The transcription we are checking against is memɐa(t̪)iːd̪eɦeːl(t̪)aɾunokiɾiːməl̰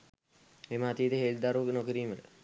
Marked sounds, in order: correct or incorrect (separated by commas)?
correct, incorrect